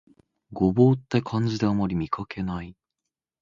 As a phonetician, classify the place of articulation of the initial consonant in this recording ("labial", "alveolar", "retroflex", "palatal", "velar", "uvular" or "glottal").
velar